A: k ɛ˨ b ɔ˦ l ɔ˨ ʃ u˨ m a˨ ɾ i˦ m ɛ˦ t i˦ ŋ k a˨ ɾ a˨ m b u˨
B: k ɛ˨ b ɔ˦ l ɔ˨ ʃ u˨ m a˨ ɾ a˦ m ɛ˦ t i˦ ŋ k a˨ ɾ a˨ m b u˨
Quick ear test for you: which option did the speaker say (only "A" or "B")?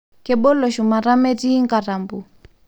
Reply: B